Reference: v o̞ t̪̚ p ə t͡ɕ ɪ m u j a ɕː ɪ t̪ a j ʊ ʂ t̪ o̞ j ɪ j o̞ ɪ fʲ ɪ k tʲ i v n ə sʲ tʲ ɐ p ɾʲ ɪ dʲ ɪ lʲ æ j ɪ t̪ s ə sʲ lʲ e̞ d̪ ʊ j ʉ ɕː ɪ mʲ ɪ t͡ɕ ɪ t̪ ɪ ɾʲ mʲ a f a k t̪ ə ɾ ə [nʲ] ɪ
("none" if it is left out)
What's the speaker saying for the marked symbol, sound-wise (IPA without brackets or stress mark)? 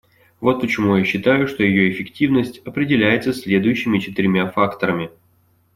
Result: mʲ